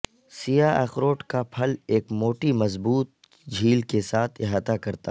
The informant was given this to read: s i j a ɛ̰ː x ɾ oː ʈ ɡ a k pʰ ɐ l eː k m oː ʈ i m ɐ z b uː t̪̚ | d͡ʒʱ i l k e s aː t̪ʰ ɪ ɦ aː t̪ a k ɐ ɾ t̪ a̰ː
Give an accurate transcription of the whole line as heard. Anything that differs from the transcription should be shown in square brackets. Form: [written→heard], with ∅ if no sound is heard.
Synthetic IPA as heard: s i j a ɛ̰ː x ɾ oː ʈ [ɡ→k] a [k→∅] pʰ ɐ l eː k m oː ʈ i m ɐ z b uː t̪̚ | d͡ʒʱ [i→iː] l k e s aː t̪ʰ ɪ ɦ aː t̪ a k ɐ ɾ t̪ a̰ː

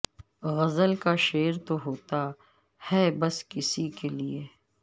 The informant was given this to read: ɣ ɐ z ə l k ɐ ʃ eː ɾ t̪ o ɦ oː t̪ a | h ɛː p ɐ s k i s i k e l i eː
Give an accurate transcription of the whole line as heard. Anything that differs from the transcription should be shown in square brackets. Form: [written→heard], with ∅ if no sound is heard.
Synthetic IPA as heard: ɣ ɐ z ə l k [ɐ→a] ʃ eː ɾ t̪ o ɦ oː t̪ a | h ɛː [p→b] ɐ s k [i→ɪ] s i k e l i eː

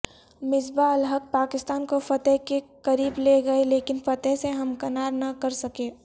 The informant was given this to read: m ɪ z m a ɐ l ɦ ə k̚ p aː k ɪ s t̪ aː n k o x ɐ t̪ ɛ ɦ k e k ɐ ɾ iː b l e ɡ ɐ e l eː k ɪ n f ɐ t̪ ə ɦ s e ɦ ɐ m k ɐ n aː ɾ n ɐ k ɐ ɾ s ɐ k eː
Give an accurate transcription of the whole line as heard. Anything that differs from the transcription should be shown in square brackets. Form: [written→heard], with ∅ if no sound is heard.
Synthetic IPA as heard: m ɪ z [m→b] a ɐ l ɦ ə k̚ p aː k ɪ s t̪ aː n k o [x→f] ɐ t̪ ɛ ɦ k e k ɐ ɾ iː b l e ɡ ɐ e l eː k ɪ n f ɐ t̪ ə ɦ s e ɦ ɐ m k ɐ n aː ɾ n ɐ k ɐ ɾ s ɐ k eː

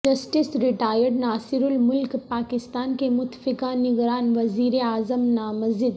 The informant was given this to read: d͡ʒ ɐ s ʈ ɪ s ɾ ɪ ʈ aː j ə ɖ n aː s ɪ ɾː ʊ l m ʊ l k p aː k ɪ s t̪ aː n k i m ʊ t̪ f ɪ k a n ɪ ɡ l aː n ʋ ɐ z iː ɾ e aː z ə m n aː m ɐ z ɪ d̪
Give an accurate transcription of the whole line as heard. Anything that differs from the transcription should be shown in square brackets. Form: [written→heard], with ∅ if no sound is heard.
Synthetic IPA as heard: d͡ʒ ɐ s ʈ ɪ s ɾ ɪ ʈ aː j ə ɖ n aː s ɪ [ɾː→ɾ] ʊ l m ʊ l k p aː k ɪ s t̪ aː n k [i→e] m ʊ t̪ f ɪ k a n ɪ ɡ [l→ɾ] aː n ʋ ɐ z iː ɾ e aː z ə m n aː m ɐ z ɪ d̪

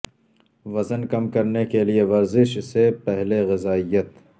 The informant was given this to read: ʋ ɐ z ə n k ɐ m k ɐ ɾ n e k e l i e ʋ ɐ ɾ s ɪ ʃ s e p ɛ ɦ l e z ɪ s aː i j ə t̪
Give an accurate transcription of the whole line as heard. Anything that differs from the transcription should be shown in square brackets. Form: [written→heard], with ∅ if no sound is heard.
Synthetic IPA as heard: ʋ ɐ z ə n k ɐ m k ɐ ɾ n e k e l i e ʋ ɐ ɾ [s→z] ɪ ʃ s e p ɛ ɦ l e [z→ɣ] ɪ [s→z] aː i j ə t̪

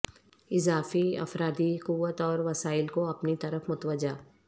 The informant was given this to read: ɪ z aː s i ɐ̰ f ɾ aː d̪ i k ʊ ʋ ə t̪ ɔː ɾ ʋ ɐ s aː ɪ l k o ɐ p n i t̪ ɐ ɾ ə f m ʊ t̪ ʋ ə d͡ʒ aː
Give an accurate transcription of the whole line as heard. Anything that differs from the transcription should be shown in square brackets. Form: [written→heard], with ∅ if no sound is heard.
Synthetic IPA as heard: ɪ z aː [s→f] i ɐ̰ f ɾ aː d̪ i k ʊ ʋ ə t̪ ɔː ɾ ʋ ɐ s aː ɪ l k o ɐ p n i t̪ ɐ ɾ ə f m ʊ t̪ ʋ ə d͡ʒ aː

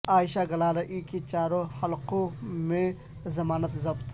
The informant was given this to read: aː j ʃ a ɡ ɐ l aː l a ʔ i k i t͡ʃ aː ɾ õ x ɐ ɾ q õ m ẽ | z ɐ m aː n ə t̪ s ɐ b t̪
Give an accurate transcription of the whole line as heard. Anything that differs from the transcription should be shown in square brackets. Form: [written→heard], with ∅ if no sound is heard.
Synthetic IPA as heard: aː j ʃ a ɡ ɐ l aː l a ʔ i k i t͡ʃ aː ɾ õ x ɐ [ɾ→l] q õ m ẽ | z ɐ m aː n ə t̪ [s→z] ɐ b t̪

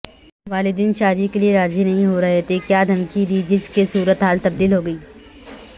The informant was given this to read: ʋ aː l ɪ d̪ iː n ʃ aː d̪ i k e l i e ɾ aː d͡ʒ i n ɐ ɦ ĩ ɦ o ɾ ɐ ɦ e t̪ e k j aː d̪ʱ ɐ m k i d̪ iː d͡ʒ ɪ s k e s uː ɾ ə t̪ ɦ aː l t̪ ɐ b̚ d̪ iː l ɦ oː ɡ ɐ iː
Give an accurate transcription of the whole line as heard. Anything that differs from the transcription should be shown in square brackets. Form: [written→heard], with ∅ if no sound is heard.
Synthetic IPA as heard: ʋ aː l ɪ d̪ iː n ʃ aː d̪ i k e l i e ɾ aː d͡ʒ i n ɐ ɦ ĩ ɦ o ɾ ɐ ɦ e t̪ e k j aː d̪ʱ ɐ m k i d̪ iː d͡ʒ ɪ s k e s uː ɾ ə t̪ ɦ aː l t̪ ɐ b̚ d̪ iː l ɦ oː ɡ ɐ iː

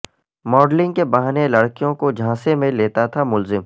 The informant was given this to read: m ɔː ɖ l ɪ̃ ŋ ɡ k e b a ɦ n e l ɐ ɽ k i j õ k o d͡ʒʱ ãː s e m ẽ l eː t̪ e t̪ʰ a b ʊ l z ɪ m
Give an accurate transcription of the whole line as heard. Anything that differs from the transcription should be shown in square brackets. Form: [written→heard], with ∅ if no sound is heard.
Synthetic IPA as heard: m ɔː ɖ l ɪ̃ ŋ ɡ k e b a ɦ n e l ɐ ɽ k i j õ k o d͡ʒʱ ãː s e m ẽ l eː t̪ [e→a] t̪ʰ a [b→m] ʊ l z ɪ m

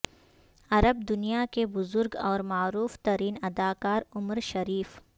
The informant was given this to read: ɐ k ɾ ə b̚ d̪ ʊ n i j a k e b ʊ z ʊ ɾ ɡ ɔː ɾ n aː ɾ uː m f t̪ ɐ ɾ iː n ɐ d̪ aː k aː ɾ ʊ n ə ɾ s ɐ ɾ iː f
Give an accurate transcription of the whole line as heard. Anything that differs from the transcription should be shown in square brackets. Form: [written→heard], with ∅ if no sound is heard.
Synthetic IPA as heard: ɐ [k→∅] ɾ ə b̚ d̪ ʊ n i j a k e b ʊ z ʊ ɾ ɡ ɔː ɾ [n→m] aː ɾ uː [m→∅] f t̪ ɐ ɾ iː n ɐ d̪ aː k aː ɾ ʊ [n→m] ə ɾ [s→ʃ] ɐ ɾ iː f

